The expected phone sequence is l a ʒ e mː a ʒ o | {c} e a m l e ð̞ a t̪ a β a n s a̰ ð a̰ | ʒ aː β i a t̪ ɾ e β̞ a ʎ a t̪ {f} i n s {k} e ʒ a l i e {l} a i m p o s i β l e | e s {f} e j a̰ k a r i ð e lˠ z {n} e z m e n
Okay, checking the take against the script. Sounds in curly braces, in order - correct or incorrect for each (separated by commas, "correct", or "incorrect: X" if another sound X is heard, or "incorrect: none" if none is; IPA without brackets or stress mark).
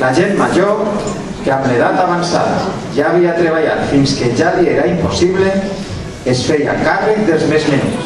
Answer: incorrect: k, correct, correct, incorrect: ɾ, correct, incorrect: m